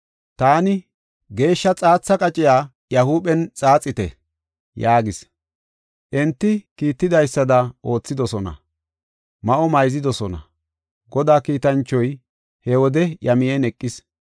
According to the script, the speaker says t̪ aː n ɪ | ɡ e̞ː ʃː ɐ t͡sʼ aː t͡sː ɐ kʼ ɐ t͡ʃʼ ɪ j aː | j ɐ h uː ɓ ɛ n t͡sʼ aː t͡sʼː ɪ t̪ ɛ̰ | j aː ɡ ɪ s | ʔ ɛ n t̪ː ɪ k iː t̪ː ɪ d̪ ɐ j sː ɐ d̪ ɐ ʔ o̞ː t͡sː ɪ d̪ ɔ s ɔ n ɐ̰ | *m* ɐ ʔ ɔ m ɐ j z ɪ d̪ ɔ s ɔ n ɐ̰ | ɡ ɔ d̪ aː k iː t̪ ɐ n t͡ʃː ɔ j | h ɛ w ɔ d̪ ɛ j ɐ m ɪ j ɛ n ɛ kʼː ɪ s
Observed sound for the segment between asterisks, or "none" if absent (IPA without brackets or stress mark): m